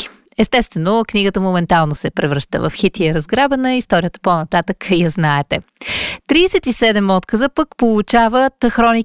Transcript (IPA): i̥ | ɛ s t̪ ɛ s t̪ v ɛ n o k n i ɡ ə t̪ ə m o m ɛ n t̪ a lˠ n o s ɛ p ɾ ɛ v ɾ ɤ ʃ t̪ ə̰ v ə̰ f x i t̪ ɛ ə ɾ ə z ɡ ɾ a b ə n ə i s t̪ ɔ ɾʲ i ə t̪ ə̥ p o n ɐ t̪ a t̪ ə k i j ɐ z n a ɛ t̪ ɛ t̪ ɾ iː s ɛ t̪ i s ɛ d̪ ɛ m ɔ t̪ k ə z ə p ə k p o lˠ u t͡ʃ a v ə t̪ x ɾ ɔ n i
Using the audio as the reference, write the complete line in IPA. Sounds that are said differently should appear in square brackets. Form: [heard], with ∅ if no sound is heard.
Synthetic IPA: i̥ | ɛ s t̪ ɛ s t̪ v ɛ n o k n i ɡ ə t̪ ə m o m ɛ n t̪ a lˠ n o s ɛ p ɾ ɛ v ɾ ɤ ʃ t̪ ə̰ v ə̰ f x i t̪ [i] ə ɾ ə z ɡ ɾ a b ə n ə i s t̪ ɔ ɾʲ i ə t̪ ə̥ p o n ɐ t̪ a t̪ ə k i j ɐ z n a ɛ t̪ ɛ t̪ ɾ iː s ɛ t̪ i s ɛ d̪ ɛ m ɔ t̪ k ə z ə p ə k p o lˠ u t͡ʃ a v ə t̪ x ɾ ɔ n i